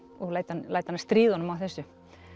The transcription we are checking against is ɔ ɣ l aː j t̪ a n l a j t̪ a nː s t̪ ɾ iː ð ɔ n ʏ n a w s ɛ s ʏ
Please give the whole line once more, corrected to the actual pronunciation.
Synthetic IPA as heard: ɔ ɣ l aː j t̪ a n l a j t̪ a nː s t̪ ɾ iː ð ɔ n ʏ m a w θ ɛ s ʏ